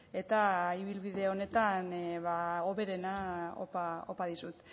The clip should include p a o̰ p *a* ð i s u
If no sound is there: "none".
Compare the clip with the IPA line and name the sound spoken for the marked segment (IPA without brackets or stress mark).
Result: a